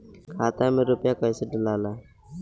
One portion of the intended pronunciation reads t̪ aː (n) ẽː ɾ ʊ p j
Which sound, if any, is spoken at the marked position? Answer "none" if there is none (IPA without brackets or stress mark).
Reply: m